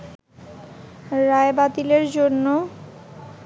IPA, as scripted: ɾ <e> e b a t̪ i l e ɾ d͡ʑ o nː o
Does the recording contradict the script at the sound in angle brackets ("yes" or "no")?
yes